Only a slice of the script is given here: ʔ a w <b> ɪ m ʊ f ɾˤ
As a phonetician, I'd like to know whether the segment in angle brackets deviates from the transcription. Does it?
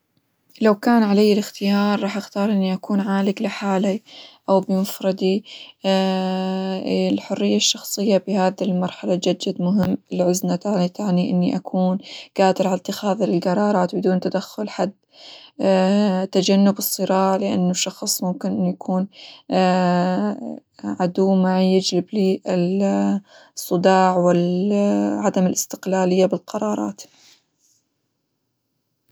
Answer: no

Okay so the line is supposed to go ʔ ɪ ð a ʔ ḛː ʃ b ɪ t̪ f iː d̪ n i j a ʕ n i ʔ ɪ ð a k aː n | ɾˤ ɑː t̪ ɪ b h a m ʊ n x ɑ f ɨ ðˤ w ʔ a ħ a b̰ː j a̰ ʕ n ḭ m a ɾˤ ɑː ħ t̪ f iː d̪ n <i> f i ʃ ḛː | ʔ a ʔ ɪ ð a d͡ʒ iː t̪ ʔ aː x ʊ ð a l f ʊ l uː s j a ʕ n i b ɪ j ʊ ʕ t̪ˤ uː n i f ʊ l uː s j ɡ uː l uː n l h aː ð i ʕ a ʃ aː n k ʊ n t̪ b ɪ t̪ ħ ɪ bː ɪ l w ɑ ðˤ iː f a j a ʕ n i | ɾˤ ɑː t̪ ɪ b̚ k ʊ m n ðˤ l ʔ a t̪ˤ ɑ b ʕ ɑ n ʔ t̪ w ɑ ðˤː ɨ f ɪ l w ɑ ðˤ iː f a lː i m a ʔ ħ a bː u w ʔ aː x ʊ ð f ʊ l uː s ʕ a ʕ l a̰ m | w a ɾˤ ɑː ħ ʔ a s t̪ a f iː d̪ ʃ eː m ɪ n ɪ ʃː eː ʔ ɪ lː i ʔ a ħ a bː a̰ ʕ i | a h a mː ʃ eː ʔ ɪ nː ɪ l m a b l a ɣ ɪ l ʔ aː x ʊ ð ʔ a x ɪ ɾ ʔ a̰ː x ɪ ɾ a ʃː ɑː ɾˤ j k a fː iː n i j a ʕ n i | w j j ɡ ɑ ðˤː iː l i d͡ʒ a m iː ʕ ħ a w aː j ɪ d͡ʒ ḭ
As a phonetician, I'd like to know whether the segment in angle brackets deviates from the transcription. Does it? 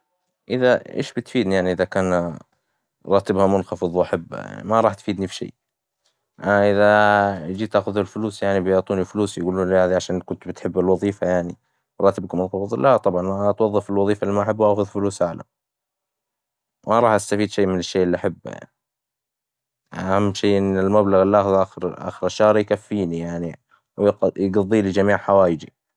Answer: no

